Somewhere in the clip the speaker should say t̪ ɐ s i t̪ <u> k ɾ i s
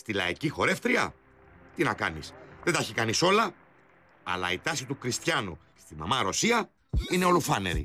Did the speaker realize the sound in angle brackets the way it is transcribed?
yes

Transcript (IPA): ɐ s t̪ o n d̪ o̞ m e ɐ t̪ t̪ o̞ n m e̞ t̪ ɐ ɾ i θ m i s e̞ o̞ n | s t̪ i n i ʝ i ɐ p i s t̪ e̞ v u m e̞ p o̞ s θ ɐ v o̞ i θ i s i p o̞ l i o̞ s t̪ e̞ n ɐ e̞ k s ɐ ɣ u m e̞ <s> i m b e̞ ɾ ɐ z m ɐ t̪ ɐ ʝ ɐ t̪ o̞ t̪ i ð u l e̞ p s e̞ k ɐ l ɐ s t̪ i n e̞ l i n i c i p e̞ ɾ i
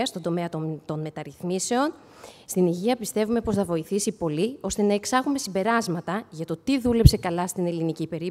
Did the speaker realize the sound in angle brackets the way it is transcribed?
yes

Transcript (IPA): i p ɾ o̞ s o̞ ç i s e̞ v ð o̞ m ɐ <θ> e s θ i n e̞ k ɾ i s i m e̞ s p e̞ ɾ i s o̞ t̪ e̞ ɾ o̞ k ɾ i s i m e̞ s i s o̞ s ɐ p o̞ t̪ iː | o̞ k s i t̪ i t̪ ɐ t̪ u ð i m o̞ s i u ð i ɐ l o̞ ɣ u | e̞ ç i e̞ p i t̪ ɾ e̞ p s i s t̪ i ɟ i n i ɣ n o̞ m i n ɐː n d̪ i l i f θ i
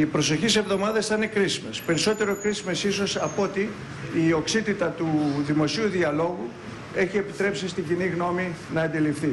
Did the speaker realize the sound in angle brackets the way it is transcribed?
no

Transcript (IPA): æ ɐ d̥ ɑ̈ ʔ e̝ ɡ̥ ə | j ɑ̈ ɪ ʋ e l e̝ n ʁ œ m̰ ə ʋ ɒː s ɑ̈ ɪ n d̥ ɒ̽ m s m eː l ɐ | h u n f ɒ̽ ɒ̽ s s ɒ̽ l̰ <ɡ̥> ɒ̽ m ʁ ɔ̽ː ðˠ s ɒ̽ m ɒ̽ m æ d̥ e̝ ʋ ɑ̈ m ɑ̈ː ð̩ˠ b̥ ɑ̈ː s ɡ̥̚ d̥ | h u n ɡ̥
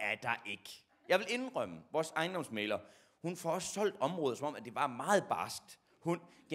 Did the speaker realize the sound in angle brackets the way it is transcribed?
no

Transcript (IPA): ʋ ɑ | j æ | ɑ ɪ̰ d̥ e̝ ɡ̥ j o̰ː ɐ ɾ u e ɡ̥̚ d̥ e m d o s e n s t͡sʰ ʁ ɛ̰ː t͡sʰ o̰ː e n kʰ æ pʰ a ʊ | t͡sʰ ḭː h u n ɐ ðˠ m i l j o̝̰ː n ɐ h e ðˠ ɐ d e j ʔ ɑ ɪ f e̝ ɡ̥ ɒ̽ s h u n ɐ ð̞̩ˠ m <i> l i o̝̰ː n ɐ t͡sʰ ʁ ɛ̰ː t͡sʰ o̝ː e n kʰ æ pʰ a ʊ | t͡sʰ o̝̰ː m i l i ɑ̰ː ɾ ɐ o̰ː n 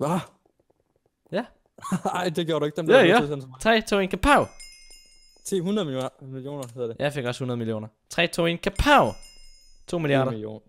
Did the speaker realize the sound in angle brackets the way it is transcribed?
yes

